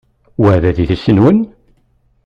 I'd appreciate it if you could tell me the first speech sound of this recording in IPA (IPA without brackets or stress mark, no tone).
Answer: w